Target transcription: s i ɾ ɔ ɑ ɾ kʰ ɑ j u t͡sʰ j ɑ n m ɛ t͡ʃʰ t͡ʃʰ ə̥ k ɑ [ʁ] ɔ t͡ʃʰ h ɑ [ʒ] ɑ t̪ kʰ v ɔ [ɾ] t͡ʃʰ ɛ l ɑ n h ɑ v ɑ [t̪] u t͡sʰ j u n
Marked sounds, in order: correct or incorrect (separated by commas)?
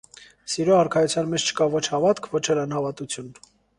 incorrect, incorrect, incorrect, correct